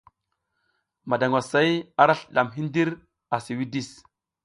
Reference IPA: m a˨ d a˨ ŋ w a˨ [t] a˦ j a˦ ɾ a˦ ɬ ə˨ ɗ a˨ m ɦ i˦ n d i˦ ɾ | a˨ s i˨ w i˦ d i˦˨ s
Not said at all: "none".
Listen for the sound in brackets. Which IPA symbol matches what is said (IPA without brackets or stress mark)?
s